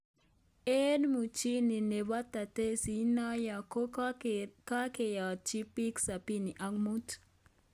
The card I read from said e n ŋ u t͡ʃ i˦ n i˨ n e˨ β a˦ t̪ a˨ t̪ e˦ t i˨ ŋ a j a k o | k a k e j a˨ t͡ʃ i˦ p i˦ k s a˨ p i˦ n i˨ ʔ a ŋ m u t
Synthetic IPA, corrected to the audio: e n m u t͡ʃ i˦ n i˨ n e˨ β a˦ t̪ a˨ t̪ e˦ s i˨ n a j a k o | k a k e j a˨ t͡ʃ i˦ p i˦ k s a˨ p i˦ n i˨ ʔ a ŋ m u t